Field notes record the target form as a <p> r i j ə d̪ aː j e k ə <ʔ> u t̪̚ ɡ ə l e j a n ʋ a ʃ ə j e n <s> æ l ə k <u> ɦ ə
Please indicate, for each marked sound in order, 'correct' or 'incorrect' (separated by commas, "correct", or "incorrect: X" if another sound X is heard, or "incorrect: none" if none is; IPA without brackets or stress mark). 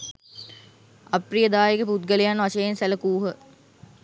correct, incorrect: p, correct, incorrect: uː